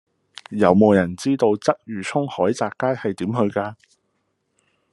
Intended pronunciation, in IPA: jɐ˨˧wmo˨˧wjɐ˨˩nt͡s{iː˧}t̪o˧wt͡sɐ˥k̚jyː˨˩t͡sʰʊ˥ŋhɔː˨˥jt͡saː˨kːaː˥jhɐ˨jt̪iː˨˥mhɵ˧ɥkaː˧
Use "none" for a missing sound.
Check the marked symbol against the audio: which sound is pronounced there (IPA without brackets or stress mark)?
iː˥